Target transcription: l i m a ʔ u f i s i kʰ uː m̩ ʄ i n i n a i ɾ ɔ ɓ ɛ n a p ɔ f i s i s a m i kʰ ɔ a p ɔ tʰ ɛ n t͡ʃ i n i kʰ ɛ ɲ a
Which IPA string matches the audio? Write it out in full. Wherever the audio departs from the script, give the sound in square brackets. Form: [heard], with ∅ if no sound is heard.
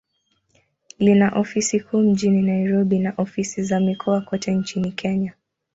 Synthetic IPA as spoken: l i [n] a ʔ [ɔ] f i s i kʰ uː m̩ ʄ i n i n a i ɾ ɔ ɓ [i] n a [ʔ] ɔ f i s i [z] a m i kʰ ɔ a [k] ɔ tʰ ɛ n t͡ʃ i n i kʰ ɛ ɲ a